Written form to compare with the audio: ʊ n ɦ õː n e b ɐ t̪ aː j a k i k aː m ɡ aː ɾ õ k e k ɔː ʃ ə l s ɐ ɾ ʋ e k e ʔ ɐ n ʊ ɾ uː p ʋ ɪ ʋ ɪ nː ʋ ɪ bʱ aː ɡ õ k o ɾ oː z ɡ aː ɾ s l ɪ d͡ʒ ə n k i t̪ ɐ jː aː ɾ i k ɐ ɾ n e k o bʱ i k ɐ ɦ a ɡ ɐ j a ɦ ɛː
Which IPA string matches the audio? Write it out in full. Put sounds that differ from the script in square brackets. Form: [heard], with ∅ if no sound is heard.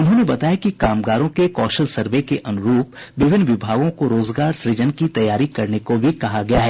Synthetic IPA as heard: ʊ n ɦ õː n e b ɐ t̪ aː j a k i k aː m ɡ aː ɾ õ k e k ɔː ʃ ə l s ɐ ɾ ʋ e k e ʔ ɐ n ʊ ɾ uː p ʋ ɪ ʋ ɪ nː ʋ ɪ bʱ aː ɡ õ k o ɾ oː z ɡ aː ɾ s [ɾ] ɪ d͡ʒ ə n k i t̪ ɐ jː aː ɾ i k ɐ ɾ n e k o bʱ i k ɐ ɦ a ɡ ɐ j a ɦ ɛː